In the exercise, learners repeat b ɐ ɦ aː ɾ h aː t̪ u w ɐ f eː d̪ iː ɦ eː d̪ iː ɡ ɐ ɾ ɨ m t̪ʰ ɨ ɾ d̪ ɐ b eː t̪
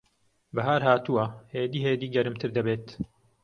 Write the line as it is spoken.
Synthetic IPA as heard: b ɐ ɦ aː ɾ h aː t̪ u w ɐ h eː d̪ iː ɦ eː d̪ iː ɡ ɐ ɾ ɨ m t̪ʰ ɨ ɾ d̪ ɐ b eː t̪